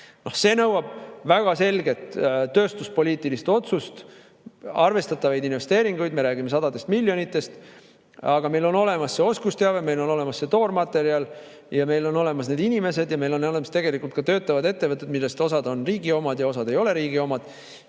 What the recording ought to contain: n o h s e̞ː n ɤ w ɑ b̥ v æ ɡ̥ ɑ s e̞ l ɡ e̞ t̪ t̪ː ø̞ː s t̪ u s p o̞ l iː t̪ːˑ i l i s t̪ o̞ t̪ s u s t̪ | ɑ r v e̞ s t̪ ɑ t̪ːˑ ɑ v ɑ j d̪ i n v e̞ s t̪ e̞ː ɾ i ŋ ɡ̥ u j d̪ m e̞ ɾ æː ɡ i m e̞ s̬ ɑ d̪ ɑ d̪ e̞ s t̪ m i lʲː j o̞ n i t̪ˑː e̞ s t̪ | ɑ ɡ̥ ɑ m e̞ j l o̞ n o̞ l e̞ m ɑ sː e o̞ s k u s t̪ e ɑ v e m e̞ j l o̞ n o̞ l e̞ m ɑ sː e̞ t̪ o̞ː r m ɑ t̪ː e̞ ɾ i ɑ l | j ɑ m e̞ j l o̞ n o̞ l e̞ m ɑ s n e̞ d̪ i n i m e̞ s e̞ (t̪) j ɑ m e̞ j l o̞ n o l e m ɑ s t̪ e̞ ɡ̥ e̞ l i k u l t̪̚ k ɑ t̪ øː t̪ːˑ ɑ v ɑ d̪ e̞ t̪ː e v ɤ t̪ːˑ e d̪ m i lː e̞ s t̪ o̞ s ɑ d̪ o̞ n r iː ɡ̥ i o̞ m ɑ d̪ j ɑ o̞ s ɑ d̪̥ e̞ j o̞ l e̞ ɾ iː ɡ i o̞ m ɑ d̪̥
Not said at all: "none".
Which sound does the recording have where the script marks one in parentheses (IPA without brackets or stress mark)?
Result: d̪